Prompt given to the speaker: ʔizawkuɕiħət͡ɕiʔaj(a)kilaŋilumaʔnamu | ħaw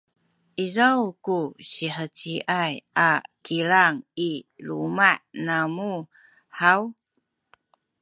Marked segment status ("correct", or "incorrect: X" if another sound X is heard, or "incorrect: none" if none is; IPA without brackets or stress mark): correct